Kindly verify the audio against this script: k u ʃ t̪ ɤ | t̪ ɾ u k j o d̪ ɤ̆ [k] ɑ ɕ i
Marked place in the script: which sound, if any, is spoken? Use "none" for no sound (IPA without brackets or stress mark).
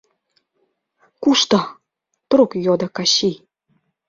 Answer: k